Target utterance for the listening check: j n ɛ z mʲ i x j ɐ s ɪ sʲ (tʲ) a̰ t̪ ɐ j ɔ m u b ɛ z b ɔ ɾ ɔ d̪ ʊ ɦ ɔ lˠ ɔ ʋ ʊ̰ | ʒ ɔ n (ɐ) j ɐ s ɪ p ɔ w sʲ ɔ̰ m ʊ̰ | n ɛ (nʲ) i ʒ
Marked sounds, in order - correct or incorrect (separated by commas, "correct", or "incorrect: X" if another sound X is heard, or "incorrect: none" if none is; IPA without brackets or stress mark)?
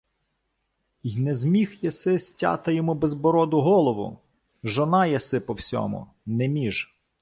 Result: correct, incorrect: ɑ, incorrect: mʲ